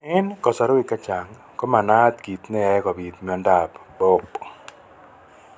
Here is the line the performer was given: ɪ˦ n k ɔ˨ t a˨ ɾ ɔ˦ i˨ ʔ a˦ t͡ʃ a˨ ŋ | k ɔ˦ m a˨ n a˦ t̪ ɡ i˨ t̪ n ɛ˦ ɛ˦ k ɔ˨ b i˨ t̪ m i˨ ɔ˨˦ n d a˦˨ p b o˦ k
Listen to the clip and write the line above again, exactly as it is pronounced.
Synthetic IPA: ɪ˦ n k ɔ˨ s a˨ ɾ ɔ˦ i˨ k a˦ t͡ʃ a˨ ŋ | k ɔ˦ m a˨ n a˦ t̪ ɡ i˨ t̪ n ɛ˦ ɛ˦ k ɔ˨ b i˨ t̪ m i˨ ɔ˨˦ n d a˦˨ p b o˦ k